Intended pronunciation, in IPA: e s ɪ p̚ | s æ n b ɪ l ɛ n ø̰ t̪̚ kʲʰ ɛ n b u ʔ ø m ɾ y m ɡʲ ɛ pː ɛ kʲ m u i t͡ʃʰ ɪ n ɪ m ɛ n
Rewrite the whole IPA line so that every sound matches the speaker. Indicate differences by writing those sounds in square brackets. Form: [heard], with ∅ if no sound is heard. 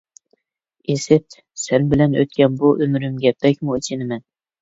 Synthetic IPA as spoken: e s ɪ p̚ | s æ n b ɪ l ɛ n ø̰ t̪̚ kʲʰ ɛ n b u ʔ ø m ɾ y m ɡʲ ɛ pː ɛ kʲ m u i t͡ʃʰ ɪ n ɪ m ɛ n